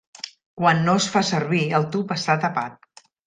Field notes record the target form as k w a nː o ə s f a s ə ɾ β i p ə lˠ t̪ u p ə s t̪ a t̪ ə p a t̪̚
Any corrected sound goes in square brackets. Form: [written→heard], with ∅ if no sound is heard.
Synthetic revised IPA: k w a nː o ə s f a s ə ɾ β i [p→∅] ə lˠ t̪ u p ə s t̪ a t̪ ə p a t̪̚